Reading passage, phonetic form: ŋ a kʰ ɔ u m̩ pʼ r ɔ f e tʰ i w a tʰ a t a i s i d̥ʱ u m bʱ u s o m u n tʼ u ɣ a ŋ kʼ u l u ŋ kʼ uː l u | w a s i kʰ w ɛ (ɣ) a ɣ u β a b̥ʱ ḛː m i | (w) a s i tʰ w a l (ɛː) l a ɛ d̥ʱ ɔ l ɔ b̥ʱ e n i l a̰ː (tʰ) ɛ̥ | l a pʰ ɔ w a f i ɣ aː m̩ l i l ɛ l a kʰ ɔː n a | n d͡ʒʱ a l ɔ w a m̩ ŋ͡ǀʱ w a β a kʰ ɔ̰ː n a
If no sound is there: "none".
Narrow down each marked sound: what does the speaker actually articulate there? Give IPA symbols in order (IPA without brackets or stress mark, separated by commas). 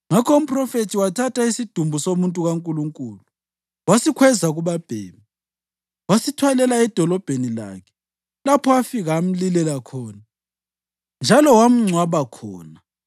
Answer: z, w, ɛ, kʰ